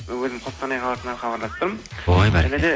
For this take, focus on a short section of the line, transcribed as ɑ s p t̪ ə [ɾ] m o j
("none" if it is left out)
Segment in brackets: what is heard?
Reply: ɾ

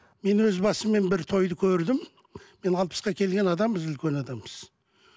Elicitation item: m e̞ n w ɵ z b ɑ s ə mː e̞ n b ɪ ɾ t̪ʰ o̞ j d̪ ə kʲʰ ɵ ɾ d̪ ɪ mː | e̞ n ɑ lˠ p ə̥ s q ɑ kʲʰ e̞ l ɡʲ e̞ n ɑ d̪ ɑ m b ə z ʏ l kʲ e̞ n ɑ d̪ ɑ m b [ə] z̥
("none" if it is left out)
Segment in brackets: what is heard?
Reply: ə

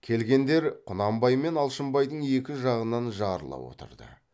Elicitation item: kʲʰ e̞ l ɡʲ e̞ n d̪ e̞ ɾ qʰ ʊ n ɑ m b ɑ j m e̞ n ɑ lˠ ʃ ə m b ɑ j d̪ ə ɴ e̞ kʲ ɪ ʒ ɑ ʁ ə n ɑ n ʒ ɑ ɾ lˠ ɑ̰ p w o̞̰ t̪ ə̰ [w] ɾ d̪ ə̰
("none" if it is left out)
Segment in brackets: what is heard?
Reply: none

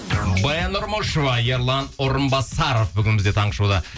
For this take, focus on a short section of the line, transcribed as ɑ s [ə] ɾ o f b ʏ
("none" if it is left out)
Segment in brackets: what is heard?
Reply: ɑ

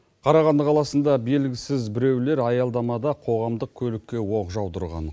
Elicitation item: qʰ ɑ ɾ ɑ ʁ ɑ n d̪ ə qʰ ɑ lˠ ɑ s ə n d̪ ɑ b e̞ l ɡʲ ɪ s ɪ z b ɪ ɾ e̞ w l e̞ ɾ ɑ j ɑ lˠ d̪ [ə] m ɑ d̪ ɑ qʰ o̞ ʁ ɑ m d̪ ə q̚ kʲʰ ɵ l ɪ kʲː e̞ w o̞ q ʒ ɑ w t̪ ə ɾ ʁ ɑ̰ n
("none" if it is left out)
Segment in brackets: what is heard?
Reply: ɑ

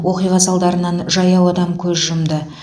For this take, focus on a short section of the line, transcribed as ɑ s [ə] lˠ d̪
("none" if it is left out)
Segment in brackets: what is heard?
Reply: ɑ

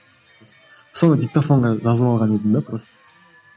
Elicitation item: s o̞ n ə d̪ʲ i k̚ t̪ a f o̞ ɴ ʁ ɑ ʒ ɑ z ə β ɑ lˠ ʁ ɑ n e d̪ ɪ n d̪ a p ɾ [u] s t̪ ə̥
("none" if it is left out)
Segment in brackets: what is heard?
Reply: o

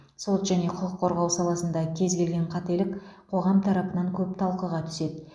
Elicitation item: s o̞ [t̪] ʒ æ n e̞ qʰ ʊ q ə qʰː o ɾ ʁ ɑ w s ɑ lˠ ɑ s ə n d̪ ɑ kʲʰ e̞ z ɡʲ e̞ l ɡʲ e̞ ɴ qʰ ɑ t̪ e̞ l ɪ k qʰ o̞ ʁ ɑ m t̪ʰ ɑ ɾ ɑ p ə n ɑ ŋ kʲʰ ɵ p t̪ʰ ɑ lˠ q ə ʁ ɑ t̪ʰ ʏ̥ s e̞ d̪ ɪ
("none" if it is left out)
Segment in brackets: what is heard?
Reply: t̪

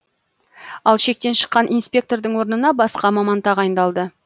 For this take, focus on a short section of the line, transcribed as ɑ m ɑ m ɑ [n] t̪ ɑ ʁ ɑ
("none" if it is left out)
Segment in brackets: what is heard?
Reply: n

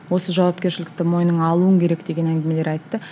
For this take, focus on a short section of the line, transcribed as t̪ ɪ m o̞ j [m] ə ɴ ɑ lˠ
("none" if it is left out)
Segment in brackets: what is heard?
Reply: n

